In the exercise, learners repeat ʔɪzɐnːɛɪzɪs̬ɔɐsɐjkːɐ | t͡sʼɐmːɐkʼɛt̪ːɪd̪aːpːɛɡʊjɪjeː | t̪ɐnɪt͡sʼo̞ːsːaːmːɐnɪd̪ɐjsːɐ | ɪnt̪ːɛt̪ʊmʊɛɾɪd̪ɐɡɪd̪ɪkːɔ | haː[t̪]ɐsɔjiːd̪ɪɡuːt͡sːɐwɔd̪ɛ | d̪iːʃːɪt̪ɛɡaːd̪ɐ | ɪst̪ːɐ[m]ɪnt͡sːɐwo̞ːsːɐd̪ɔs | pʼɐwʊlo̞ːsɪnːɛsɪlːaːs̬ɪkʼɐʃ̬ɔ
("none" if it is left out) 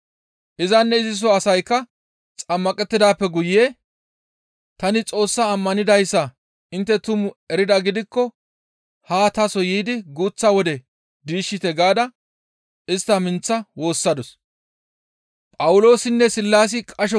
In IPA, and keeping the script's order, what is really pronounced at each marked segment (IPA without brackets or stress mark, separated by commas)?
t̪, m